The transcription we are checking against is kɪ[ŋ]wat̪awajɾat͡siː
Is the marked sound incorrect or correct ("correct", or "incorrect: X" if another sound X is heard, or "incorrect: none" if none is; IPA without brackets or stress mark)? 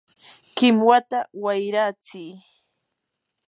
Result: incorrect: m